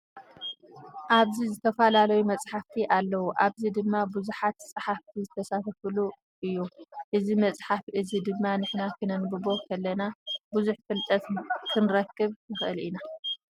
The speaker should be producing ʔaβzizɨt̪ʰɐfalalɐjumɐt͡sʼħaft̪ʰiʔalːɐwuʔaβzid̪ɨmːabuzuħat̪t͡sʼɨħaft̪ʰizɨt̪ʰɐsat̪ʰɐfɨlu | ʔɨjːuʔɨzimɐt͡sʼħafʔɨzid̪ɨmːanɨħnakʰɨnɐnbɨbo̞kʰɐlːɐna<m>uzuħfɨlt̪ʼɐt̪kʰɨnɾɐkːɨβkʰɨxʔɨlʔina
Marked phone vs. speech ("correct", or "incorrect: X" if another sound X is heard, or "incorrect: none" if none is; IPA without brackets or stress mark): incorrect: b